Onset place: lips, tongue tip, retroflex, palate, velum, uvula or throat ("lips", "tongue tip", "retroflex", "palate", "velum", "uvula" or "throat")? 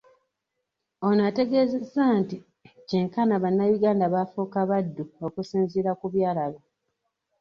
tongue tip